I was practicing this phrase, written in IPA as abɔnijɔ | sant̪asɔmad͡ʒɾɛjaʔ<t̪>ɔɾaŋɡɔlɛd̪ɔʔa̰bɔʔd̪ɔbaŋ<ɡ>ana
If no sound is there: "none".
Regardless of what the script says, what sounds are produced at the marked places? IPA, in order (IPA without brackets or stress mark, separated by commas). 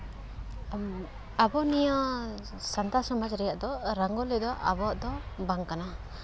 d̪, k